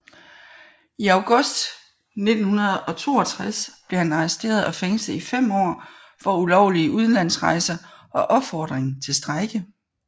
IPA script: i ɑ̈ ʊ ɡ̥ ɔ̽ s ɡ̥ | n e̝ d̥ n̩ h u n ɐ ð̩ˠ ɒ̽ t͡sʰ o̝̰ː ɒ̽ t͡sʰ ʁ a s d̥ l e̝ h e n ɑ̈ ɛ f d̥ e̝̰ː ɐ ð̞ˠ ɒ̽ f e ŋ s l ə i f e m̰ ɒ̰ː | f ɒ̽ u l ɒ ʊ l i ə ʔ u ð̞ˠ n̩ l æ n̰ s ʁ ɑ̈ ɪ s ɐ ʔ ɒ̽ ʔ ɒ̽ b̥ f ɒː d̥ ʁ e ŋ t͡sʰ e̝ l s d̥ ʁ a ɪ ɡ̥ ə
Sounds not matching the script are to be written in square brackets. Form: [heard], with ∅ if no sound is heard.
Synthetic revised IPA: i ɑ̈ ʊ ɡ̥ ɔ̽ s [d̥] | n e̝ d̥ n̩ h u n ɐ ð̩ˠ ɒ̽ t͡sʰ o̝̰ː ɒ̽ t͡sʰ ʁ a s [b̥] l e̝ h [æ] n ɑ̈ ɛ [s] d̥ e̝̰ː ɐ ð̞ˠ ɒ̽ f e ŋ s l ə i f e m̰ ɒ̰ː | f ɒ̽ u l ɒ ʊ l i ə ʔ u ð̞ˠ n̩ l æ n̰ s ʁ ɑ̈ ɪ s ɐ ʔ ɒ̽ ʔ ɒ̽ b̥ f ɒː d̥ ʁ e ŋ t͡sʰ e̝ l s d̥ ʁ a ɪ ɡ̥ ə